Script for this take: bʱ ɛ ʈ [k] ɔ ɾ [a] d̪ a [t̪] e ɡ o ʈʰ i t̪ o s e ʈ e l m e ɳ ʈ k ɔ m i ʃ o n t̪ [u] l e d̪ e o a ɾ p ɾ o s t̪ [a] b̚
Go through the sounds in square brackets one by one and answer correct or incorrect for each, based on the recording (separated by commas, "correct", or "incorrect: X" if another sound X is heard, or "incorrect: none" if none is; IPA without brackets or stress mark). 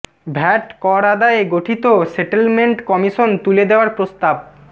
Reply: correct, correct, incorrect: none, correct, correct